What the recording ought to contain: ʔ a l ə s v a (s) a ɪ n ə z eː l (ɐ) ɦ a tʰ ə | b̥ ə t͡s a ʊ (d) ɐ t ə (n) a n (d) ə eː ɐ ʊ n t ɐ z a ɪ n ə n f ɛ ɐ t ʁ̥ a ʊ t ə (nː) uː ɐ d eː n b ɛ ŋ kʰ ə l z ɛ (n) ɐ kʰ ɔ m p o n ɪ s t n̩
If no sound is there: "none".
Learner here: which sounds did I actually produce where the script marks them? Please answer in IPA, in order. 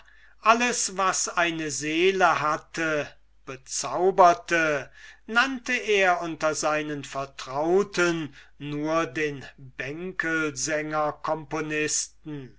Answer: s, ə, b, n, t, nː, ŋ

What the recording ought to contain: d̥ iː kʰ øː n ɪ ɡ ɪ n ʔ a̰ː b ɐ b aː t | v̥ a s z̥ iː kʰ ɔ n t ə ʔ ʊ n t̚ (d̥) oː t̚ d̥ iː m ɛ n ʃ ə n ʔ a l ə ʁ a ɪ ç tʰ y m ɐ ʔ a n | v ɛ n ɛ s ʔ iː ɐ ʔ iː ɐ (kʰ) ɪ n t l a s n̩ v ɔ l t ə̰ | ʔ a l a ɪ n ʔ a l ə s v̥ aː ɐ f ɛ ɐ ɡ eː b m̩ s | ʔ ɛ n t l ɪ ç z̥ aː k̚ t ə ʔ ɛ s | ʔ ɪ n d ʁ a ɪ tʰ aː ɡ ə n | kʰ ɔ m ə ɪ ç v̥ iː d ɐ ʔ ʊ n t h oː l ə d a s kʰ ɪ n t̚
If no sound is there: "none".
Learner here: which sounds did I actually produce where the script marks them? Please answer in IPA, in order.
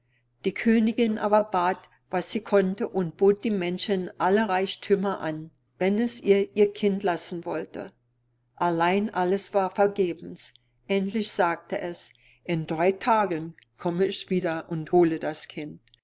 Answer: b̥, kʰ

